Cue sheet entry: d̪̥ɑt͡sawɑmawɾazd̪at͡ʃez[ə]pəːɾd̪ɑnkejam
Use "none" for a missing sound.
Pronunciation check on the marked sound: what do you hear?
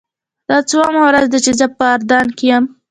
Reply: ə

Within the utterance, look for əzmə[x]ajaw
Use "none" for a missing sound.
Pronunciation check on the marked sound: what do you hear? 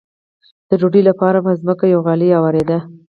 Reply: k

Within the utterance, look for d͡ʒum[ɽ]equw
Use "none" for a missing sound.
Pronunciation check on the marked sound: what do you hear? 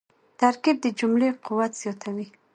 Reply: l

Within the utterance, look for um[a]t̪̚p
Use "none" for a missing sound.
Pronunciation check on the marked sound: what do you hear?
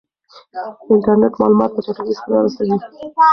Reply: ɑ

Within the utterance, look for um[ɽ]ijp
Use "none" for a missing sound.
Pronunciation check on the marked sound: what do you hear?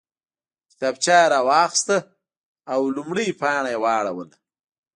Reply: ɽ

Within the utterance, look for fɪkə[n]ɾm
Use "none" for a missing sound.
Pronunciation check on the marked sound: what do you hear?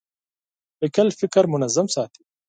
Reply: none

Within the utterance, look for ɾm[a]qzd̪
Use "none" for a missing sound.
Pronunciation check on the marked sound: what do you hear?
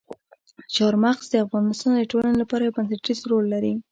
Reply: a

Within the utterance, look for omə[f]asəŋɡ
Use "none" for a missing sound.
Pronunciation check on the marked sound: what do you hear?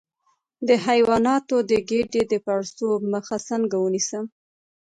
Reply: x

